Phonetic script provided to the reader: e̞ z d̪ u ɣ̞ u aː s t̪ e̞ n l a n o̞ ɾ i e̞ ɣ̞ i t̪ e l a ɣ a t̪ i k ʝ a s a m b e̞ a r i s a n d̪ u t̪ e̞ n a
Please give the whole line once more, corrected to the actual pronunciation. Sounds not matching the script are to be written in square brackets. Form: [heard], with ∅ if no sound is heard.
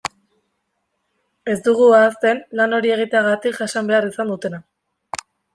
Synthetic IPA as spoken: e̞ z d̪ u ɣ̞ u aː s t̪ e̞ n l a n o̞ ɾ i e̞ ɣ̞ i t̪ e [∅] a ɣ a t̪ i k ʝ a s a m b e̞ a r i s a n d̪ u t̪ e̞ n a